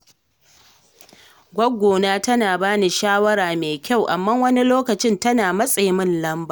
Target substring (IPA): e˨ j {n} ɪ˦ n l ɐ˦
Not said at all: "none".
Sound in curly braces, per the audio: m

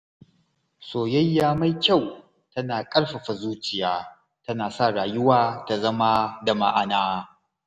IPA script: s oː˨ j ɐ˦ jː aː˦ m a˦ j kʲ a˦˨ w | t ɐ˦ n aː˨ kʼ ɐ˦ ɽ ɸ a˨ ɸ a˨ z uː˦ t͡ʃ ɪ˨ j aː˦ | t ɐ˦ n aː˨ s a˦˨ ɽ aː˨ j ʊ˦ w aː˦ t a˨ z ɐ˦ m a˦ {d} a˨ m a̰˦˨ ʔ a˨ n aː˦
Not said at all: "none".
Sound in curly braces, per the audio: d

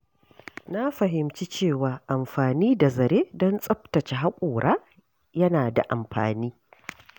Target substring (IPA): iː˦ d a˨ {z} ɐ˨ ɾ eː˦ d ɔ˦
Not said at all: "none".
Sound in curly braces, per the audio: z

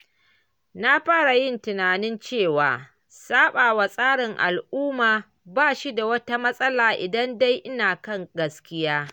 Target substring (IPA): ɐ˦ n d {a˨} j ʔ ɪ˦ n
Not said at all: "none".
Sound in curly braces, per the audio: a˦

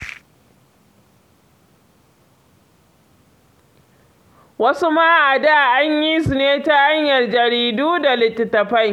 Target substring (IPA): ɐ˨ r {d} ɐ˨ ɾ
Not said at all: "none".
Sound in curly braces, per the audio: d͡ʒ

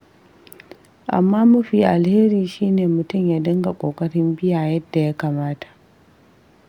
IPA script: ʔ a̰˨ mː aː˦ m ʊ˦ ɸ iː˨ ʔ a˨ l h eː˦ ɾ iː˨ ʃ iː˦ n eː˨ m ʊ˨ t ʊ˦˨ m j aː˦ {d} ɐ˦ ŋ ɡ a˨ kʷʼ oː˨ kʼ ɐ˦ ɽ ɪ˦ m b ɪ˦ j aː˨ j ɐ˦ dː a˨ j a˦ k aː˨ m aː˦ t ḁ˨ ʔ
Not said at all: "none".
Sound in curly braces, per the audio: d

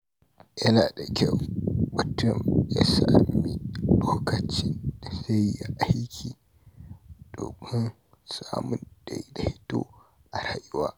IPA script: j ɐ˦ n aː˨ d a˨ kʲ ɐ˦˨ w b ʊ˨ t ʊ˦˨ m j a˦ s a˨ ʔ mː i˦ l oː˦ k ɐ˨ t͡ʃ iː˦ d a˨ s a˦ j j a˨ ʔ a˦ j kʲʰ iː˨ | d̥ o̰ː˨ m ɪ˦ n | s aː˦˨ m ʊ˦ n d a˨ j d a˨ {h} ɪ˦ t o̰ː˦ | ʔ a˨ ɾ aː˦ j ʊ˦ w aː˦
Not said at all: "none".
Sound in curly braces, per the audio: h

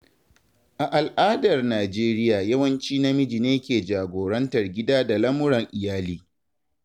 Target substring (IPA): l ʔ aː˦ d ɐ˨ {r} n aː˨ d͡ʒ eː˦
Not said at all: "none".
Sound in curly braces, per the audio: r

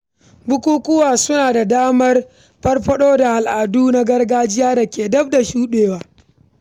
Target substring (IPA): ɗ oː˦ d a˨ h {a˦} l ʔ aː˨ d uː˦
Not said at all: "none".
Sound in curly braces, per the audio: a˨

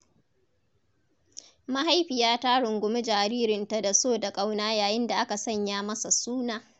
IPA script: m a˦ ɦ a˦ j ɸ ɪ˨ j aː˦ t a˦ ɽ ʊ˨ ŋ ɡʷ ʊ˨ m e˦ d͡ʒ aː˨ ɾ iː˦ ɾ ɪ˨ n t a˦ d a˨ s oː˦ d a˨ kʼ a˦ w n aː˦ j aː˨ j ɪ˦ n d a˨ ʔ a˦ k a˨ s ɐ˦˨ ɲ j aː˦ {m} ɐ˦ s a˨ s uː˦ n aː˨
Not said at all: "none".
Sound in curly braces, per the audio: m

